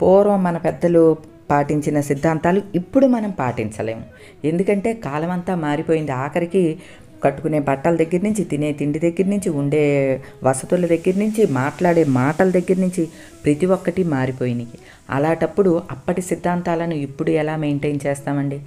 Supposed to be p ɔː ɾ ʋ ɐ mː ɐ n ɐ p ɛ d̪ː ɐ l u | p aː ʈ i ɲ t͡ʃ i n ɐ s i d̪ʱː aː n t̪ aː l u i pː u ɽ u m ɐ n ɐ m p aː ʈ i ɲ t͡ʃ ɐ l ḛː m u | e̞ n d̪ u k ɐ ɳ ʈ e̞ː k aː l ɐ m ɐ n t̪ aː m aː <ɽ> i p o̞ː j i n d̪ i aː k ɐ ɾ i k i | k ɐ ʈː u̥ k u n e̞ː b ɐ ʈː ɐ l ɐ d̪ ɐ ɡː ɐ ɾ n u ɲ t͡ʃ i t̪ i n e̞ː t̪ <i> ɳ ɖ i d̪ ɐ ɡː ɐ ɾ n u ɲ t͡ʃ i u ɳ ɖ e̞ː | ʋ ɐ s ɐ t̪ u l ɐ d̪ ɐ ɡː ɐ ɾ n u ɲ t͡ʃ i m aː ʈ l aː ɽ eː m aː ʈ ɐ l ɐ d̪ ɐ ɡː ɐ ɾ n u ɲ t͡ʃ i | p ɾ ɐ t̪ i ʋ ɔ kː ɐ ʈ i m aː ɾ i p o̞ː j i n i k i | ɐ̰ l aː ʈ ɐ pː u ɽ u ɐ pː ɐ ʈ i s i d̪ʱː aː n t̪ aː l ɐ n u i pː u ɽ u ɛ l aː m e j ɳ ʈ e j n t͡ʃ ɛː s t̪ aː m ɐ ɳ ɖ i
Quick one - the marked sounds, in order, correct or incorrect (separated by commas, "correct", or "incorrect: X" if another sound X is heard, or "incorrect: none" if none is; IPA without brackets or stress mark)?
incorrect: ɾ, correct